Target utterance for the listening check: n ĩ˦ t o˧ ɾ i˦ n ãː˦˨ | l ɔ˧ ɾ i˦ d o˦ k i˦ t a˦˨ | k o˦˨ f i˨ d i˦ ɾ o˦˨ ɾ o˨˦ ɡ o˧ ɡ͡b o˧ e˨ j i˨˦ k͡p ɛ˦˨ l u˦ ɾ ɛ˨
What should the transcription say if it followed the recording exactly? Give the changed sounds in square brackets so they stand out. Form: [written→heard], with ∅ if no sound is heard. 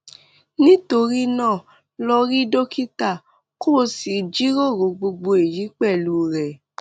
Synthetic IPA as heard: n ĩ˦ t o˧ ɾ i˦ n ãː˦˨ | l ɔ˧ ɾ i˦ d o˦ k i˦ t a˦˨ | k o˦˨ [f→s] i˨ [d→d͡ʒ] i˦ ɾ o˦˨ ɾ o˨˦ [ɡ→ɡ͡b] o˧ ɡ͡b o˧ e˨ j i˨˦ k͡p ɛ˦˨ l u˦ ɾ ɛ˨